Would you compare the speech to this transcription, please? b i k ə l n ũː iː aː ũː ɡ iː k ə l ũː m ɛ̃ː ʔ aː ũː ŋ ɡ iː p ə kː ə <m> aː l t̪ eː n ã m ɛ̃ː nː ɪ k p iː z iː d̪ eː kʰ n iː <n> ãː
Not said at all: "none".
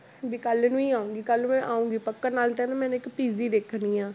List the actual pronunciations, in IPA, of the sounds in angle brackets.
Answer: n, none

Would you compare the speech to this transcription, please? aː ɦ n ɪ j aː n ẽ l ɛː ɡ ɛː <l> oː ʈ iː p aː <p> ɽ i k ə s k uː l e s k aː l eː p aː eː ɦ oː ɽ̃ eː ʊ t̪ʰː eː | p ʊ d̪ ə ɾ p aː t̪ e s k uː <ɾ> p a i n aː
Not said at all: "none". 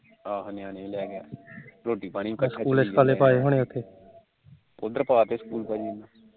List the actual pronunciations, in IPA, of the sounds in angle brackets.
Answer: ɾ, none, l

